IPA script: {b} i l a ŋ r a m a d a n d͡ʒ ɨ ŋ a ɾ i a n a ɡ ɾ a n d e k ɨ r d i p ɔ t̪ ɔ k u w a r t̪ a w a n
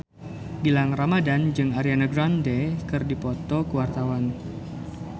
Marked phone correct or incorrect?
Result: correct